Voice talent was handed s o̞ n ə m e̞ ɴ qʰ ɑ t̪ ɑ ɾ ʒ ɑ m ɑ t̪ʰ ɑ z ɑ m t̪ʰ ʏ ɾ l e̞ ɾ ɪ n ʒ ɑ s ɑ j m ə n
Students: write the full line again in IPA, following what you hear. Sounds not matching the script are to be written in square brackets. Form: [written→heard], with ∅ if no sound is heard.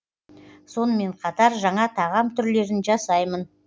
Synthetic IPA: s o̞ n ə m e̞ ɴ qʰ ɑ t̪ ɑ ɾ ʒ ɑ [m→ɴ] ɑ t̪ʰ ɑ [z→ʁ] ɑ m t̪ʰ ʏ ɾ l e̞ ɾ ɪ n ʒ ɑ s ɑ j m ə n